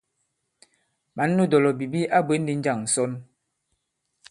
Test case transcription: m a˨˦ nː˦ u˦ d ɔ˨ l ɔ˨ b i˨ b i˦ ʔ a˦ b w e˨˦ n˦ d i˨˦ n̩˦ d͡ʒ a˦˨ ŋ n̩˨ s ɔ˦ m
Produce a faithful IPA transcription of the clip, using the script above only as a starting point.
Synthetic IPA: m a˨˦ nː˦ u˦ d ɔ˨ l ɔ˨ b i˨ b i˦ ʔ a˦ b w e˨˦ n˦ d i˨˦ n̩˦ d͡ʒ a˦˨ ŋ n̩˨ s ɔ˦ n